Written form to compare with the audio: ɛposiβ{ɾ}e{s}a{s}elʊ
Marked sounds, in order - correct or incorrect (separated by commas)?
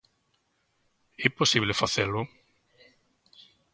incorrect, incorrect, incorrect